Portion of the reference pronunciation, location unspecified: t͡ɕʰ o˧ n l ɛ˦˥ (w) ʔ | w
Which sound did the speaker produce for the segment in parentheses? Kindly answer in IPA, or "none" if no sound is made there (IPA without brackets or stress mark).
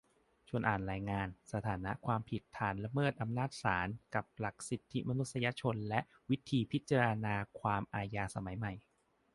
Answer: none